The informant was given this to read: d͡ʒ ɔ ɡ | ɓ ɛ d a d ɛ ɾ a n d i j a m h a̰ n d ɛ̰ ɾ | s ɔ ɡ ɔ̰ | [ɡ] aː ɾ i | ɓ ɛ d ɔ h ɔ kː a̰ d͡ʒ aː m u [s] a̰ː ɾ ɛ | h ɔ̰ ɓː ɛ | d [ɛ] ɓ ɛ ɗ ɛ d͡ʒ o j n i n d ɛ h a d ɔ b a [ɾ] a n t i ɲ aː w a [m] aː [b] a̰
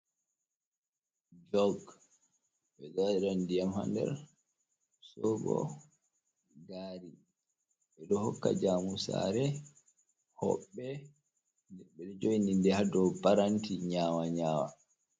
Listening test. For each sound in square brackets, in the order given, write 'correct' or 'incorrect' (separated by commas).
correct, correct, correct, correct, incorrect, incorrect